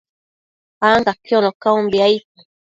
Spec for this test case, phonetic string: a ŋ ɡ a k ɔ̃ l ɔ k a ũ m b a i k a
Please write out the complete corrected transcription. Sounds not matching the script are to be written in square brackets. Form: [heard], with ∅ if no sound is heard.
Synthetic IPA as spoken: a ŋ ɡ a k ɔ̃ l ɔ k a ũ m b a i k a

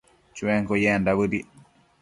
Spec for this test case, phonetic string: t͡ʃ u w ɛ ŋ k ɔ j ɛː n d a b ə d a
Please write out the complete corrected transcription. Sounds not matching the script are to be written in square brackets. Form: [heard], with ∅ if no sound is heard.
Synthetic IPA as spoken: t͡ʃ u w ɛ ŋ k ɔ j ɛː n d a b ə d [i]

